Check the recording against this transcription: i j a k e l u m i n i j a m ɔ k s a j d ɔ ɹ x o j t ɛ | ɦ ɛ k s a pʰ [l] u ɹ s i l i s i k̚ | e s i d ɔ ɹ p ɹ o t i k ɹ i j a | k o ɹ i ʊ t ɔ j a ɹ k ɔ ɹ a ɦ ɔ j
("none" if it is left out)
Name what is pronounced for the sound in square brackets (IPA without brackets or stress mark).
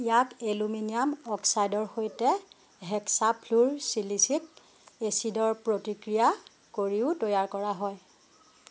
l